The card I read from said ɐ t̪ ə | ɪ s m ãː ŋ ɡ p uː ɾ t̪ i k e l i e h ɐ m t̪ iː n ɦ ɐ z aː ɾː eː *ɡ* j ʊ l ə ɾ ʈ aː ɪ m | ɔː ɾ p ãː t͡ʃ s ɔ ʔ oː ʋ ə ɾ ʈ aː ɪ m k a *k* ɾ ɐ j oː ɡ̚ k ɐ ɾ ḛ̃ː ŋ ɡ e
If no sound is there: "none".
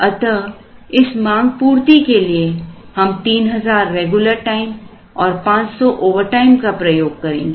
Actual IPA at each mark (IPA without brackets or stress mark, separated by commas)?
ɡ, p